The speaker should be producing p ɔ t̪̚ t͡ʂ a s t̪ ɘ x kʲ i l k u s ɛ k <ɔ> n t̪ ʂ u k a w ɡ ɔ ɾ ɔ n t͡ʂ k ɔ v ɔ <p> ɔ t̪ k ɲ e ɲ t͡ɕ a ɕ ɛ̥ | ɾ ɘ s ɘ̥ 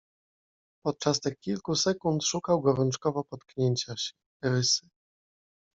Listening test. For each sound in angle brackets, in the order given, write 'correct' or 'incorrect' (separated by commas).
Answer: incorrect, correct